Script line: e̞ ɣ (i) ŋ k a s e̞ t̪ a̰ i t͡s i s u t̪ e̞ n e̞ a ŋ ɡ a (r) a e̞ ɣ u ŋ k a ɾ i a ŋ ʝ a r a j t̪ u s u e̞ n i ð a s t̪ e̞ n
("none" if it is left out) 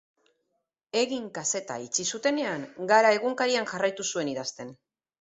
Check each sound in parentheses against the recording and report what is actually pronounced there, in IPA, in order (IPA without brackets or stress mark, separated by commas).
i, ɾ